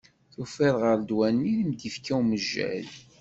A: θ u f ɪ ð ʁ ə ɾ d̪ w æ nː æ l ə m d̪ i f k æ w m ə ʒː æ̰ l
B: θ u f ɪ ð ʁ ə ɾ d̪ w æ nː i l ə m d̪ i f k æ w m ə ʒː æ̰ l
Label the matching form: B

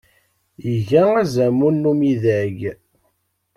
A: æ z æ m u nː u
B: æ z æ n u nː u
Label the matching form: A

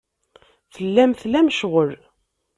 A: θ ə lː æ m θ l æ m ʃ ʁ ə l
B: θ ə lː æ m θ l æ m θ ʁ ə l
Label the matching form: A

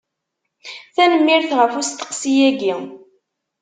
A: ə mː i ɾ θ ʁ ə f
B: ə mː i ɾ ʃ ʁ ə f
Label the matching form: A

